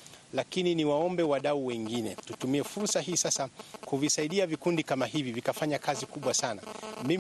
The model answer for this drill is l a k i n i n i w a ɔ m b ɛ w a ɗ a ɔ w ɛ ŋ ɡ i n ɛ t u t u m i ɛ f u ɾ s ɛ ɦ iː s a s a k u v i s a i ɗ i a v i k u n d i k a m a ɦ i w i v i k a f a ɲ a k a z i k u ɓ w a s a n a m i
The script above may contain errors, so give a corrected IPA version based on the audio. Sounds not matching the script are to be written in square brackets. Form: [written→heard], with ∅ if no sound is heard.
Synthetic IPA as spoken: l a k i n i n i w a ɔ m b ɛ w a ɗ a [ɔ→u] w ɛ ŋ ɡ i n ɛ t u t u m i ɛ f u ɾ s [ɛ→a] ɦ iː s a s a k u v i s a i ɗ i a v i k u n d i k a m a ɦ i [w→v] i v i k a f a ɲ a k a z i k u ɓ w a s a n a m i